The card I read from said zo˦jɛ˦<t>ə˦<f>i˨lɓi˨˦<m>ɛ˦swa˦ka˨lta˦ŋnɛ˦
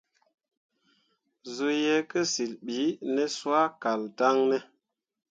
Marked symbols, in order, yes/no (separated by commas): no, no, no